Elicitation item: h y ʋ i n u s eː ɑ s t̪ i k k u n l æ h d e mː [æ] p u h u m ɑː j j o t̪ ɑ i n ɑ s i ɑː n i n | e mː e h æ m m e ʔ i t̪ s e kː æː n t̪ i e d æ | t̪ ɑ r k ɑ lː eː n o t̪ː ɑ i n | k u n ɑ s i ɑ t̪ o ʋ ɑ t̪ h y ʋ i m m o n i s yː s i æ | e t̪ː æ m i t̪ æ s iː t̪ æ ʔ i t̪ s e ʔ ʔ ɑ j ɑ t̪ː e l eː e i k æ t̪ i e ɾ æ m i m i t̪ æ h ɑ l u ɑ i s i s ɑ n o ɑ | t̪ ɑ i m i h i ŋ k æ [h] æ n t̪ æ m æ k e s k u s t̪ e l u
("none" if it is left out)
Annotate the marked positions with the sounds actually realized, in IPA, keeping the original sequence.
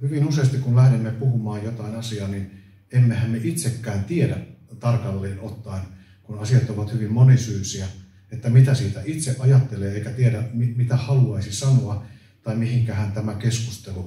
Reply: e, h

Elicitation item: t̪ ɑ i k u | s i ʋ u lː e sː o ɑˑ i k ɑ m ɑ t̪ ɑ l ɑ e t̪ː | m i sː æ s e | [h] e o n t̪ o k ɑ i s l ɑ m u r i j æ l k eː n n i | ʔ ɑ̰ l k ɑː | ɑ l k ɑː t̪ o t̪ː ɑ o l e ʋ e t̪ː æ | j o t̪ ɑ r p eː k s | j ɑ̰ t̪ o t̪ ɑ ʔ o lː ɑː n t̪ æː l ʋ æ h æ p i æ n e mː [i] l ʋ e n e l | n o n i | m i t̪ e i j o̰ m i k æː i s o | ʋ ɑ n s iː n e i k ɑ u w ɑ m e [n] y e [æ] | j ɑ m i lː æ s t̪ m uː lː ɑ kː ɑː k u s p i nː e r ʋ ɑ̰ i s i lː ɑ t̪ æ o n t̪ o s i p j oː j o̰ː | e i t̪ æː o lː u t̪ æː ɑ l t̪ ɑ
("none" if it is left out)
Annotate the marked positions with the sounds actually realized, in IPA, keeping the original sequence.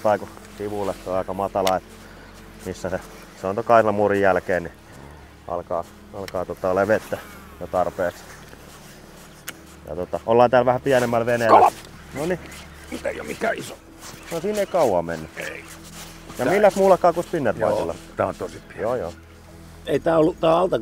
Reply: s, æ, nː, i

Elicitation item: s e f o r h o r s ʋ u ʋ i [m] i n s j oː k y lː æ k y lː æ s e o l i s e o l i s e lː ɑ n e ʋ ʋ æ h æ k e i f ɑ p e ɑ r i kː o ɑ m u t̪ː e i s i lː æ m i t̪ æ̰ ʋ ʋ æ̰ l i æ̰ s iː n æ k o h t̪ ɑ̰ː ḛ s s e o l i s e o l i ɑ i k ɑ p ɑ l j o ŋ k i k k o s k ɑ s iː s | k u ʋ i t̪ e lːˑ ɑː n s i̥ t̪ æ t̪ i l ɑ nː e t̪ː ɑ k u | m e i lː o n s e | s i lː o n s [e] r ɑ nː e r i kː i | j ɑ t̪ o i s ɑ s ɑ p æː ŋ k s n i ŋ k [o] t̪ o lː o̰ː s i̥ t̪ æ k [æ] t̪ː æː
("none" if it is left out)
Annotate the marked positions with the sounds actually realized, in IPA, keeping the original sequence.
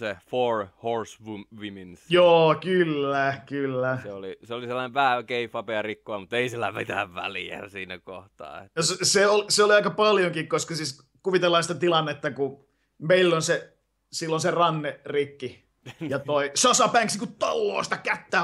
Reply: m, e, u, æ

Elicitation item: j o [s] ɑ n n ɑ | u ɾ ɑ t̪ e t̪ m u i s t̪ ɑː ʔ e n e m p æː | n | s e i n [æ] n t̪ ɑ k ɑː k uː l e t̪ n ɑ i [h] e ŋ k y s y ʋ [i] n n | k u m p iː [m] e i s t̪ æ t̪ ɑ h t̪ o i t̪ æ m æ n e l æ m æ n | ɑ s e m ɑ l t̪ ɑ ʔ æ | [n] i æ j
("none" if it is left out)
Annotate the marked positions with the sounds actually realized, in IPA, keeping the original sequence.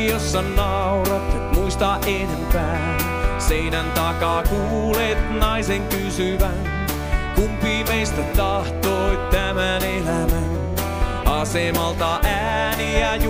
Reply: sː, æ, s, æ, m, n

